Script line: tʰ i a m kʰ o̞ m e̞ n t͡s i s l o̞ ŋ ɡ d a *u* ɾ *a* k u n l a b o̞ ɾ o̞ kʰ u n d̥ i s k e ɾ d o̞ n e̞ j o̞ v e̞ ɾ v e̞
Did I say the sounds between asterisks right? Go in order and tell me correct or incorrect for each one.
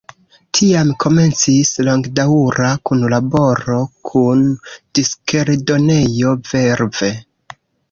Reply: correct, correct

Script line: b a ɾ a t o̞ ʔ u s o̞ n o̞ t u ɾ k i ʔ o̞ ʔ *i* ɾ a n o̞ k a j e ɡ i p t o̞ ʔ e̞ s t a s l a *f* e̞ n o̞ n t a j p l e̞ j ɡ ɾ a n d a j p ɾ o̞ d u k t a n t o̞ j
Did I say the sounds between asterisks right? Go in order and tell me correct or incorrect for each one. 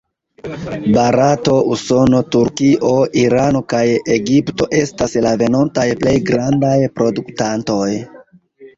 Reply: correct, incorrect: v

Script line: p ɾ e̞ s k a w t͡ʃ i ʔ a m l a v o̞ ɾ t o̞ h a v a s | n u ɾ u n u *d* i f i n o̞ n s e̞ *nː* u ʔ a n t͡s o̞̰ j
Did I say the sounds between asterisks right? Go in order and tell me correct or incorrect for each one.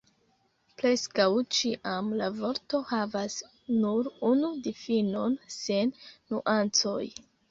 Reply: correct, correct

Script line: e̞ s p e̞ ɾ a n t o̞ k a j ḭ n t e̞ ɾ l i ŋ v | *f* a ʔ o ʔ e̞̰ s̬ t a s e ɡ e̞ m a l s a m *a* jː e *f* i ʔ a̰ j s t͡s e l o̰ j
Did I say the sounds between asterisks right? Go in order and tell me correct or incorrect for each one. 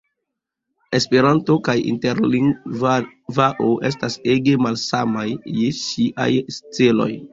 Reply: incorrect: v, correct, incorrect: ʃ

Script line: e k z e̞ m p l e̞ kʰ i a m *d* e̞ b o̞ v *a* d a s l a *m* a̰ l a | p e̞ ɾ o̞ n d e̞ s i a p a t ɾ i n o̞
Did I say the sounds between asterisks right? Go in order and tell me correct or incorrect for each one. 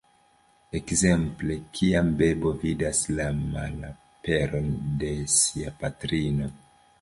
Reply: incorrect: b, incorrect: i, correct

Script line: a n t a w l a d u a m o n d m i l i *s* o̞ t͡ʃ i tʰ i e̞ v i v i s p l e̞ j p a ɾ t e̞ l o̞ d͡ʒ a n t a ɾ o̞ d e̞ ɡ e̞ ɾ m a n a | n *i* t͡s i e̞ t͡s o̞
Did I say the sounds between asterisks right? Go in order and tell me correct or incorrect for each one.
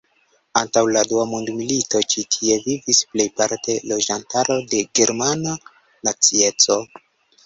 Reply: incorrect: t, incorrect: a

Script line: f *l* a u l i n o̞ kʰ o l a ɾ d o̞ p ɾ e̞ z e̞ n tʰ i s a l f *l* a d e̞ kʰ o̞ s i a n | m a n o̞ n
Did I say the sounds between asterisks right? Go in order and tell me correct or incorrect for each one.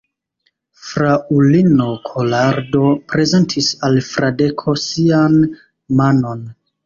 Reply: incorrect: ɾ, incorrect: ɾ

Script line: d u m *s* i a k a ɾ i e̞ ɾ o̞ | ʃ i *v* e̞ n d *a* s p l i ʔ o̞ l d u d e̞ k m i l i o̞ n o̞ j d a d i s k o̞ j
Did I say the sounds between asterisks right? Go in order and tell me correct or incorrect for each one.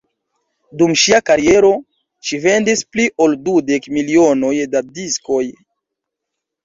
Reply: incorrect: ʃ, correct, incorrect: i

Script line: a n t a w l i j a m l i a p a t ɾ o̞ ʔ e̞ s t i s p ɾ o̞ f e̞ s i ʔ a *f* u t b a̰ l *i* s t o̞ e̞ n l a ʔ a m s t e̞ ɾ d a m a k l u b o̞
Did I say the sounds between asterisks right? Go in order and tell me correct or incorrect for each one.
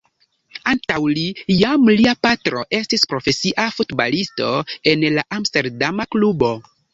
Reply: correct, correct

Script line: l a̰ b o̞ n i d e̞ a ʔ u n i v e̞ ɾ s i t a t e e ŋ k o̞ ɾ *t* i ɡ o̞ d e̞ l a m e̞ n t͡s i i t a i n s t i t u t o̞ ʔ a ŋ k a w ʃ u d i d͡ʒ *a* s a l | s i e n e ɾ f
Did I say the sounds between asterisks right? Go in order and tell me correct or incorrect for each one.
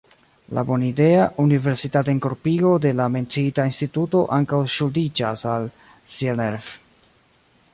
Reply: incorrect: p, correct

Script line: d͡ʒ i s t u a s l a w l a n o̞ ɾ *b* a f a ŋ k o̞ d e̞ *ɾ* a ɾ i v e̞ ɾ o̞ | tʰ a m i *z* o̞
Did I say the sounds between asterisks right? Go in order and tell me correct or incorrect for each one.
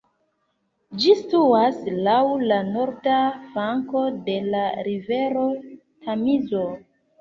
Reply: incorrect: d, incorrect: l, correct

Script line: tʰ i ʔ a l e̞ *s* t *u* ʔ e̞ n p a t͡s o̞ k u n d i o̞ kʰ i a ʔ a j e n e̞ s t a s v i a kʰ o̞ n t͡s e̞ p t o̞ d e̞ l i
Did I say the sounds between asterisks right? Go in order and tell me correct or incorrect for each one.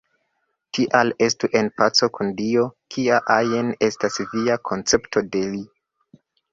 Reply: correct, correct

